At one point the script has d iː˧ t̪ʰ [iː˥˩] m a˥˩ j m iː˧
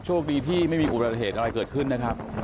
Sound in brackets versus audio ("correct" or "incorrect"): correct